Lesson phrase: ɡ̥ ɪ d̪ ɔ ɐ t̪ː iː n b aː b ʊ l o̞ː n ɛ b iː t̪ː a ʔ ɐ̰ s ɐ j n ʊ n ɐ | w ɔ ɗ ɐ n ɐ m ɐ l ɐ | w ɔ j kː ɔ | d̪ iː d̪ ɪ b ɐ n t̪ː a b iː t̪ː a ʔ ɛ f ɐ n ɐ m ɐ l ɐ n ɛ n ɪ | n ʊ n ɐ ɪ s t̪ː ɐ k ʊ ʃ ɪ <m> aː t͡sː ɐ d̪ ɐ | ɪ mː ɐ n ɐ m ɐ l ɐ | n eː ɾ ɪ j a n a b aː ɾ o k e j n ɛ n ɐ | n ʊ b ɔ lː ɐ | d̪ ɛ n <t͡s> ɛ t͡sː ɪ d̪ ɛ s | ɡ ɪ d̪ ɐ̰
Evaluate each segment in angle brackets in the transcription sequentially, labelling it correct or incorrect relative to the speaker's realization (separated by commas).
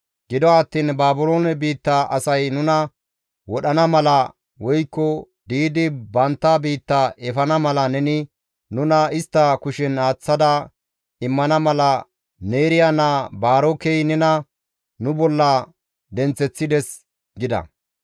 incorrect, correct